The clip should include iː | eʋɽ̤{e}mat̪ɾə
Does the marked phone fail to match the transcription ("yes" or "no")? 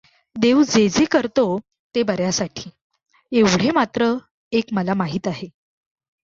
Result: no